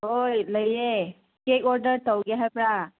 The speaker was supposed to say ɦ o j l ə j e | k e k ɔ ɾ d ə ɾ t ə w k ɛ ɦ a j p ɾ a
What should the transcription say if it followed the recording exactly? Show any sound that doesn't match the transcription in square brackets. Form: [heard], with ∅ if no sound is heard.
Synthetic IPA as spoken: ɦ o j l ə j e | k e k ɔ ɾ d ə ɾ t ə w [ɡ] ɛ ɦ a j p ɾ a